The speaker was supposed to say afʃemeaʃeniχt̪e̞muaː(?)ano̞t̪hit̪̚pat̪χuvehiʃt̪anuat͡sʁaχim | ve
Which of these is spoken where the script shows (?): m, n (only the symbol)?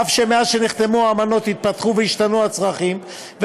m